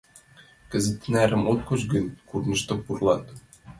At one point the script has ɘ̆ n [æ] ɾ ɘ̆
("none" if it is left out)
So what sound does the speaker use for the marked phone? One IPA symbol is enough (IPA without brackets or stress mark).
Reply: æ